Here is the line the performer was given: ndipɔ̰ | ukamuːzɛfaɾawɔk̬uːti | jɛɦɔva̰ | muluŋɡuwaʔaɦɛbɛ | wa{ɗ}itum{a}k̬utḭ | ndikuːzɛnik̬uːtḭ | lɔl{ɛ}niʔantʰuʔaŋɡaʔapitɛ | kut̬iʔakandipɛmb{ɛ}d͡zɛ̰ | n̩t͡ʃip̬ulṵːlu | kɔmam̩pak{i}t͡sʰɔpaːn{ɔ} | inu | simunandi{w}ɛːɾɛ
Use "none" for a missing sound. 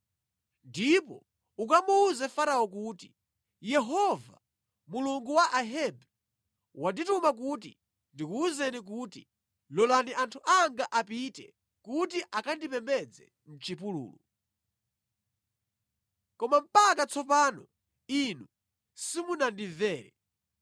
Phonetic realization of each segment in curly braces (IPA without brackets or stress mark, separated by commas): d, a, a, ɛ, a, ɔ, v